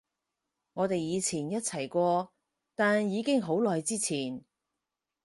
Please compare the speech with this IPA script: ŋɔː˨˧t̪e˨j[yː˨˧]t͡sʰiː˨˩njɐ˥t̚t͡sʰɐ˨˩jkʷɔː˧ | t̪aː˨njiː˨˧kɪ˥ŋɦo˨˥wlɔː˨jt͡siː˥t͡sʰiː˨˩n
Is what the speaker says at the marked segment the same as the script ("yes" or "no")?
no